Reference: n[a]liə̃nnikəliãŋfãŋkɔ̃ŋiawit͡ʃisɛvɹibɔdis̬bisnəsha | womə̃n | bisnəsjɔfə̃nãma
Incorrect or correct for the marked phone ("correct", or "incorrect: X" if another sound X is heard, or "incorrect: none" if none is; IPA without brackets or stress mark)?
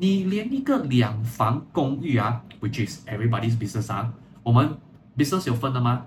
incorrect: i